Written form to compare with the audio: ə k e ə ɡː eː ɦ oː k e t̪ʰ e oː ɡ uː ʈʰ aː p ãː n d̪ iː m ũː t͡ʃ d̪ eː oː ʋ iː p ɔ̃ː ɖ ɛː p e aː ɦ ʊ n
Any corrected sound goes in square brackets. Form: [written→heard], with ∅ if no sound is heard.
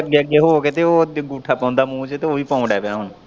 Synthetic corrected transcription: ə [k→ɡ] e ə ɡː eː ɦ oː k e [t̪ʰ→t̪] e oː ɡ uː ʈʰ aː p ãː n d̪ [iː→aː] m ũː t͡ʃ [d̪→t̪] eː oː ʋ iː p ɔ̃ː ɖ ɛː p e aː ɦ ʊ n